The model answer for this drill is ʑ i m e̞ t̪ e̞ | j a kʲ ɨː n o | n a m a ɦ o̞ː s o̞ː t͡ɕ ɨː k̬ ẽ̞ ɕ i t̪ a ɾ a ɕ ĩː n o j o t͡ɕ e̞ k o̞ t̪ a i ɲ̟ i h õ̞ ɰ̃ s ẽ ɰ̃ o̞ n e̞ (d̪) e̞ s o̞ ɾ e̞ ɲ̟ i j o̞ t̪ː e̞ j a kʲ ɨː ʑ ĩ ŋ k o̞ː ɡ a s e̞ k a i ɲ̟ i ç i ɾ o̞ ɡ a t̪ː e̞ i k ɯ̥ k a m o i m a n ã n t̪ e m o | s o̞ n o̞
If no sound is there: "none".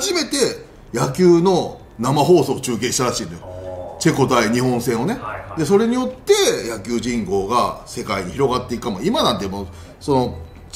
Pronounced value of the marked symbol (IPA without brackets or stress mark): d̪